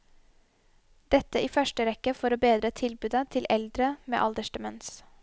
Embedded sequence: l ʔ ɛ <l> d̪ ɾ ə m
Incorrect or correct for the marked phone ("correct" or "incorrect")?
correct